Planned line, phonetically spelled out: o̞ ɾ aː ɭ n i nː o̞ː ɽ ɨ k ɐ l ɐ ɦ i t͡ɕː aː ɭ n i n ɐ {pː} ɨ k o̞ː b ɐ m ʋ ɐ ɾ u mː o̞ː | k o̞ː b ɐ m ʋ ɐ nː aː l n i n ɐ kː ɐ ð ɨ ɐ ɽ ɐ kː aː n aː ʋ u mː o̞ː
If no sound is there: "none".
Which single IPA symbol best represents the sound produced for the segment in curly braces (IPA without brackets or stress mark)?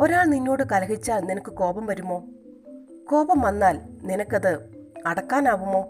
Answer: kː